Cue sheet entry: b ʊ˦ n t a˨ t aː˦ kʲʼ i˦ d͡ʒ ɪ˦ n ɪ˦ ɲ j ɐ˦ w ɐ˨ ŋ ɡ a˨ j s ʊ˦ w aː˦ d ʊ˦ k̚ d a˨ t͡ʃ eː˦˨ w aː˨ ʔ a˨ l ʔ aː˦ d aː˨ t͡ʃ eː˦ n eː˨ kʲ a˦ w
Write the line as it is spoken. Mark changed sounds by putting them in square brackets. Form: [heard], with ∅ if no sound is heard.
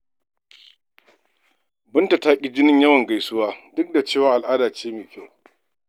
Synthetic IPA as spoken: b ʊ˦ n t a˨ t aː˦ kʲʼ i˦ d͡ʒ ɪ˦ n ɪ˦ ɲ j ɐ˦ w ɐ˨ ŋ ɡ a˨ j s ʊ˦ w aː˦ d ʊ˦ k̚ d a˨ t͡ʃ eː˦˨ w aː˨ ʔ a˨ l ʔ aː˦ d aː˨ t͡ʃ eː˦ [m] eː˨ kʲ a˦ w